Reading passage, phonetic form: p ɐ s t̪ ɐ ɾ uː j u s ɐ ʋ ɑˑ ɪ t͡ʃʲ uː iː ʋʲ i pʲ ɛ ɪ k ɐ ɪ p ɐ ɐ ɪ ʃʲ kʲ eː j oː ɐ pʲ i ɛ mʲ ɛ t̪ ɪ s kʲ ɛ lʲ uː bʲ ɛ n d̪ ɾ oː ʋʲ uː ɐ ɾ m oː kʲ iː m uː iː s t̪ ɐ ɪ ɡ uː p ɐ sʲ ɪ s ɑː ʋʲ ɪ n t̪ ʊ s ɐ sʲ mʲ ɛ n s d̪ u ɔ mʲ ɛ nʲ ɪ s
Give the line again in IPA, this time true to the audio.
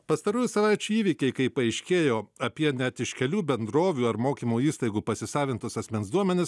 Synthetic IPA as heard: p ɐ s t̪ ɐ ɾ uː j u s ɐ ʋ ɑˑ ɪ t͡ʃʲ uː iː ʋʲ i kʲ ɛ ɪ k ɐ ɪ p ɐ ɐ ɪ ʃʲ kʲ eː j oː ɐ pʲ i ɛ nʲ ɛ t̪ ɪ ʃ kʲ ɛ lʲ uː bʲ ɛ n d̪ ɾ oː ʋʲ uː ɐ ɾ m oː kʲ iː m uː iː s t̪ ɐ ɪ ɡ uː p ɐ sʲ ɪ s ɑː ʋʲ ɪ n t̪ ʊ s ɐ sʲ mʲ ɛ n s d̪ u ɔ mʲ ɛ nʲ ɪ s